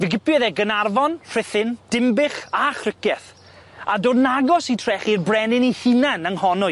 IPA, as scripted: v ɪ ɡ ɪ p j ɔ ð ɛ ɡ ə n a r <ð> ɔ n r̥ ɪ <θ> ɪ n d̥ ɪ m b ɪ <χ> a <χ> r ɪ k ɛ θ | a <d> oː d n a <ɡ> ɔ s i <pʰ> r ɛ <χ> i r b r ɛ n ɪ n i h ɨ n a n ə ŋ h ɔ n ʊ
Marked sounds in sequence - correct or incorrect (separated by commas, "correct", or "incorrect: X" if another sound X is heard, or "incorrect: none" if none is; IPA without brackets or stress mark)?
incorrect: v, correct, correct, correct, correct, correct, incorrect: tʰ, correct